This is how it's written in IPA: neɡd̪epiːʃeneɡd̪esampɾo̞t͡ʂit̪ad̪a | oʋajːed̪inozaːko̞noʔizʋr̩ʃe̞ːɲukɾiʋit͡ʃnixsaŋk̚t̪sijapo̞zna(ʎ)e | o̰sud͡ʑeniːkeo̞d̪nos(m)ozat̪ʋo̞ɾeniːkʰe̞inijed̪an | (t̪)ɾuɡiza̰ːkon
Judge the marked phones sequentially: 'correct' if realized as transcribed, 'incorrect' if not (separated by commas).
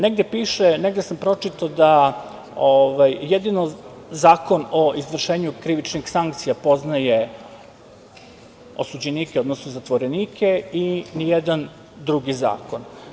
incorrect, incorrect, incorrect